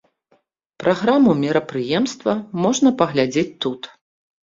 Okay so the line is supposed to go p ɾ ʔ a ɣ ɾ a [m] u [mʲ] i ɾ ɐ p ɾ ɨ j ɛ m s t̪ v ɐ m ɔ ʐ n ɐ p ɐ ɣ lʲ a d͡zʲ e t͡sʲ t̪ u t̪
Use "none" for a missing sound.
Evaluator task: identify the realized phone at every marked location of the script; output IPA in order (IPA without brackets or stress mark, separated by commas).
m, mʲ